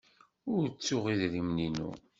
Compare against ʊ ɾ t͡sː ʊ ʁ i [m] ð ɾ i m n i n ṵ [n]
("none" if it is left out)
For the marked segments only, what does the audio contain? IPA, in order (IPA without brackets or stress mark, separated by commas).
none, none